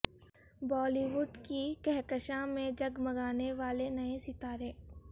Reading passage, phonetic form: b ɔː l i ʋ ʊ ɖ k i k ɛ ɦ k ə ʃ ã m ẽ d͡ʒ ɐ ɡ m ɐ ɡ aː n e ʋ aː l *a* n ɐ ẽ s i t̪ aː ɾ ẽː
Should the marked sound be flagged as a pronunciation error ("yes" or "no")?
yes